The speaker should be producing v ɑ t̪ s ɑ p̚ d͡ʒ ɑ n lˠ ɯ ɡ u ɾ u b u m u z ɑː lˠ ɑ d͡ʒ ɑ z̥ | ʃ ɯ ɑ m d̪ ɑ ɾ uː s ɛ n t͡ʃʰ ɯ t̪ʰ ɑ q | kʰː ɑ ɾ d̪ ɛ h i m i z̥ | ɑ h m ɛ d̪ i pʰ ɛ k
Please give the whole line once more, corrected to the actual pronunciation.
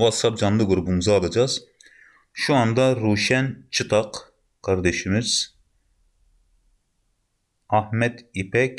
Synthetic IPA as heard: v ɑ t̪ s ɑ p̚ d͡ʒ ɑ n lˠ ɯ ɡ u ɾ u b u m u z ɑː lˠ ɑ d͡ʒ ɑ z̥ | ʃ u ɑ n d̪ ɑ ɾ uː ʃ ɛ n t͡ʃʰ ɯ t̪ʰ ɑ q | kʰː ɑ ɾ d̪ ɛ ʃ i m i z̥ | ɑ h m ɛ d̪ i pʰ ɛ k